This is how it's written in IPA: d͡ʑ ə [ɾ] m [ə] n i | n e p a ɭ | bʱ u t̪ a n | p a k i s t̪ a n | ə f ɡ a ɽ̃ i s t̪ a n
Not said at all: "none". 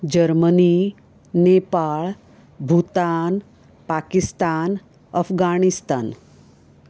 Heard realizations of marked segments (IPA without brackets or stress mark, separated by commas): ɾ, ə